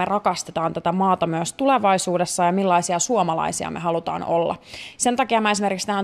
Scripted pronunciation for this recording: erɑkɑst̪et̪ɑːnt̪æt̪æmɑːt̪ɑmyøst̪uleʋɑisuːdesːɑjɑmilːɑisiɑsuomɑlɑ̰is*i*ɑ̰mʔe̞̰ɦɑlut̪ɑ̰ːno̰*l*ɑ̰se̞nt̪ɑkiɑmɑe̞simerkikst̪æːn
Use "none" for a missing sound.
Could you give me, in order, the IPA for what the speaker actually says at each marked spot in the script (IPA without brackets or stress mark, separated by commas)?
i, lː